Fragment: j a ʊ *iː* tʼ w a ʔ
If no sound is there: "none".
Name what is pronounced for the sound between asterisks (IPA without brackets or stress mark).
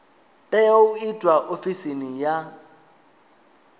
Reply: i